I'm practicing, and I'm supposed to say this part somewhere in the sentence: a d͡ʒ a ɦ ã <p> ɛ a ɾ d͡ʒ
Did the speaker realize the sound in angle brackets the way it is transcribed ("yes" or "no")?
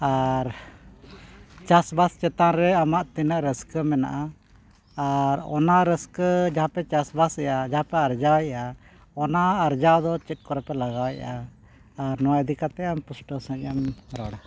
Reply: yes